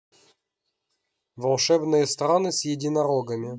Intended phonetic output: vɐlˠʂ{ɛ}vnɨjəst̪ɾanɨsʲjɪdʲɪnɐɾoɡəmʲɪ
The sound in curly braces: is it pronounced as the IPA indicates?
yes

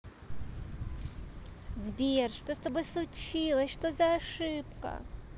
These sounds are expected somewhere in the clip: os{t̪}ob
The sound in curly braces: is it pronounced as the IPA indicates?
yes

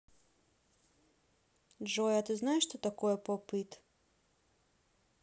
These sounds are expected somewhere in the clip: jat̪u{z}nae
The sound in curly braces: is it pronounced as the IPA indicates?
yes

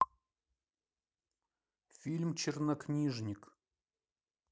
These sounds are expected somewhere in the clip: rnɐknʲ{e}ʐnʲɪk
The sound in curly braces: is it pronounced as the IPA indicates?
no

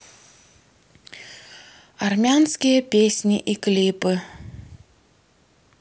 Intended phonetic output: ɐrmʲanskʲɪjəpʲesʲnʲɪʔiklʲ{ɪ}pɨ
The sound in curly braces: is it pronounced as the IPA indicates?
no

